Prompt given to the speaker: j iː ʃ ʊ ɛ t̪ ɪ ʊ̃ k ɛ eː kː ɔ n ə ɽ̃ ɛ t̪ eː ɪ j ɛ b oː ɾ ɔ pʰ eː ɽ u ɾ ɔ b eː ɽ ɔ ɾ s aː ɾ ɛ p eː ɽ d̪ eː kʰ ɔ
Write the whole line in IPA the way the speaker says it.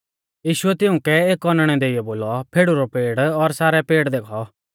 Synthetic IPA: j iː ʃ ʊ ɛ t̪ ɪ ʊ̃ k ɛ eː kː ɔ n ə ɽ̃ ɛ d̪ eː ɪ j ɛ b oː l ɔ pʰ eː ɽ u ɾ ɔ p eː ɽ ɔ ɾ s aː ɾ ɛ p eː ɽ d̪ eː kʰ ɔ